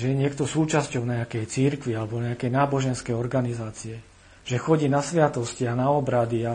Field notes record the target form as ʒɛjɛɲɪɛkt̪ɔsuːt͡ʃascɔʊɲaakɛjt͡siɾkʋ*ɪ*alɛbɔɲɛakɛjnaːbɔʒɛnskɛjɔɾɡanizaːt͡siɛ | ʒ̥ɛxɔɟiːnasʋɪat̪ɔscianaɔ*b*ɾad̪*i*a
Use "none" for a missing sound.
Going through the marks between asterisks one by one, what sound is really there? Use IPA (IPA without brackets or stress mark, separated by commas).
i, b, i